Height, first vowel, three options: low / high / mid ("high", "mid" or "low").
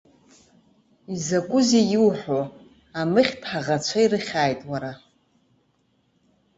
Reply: high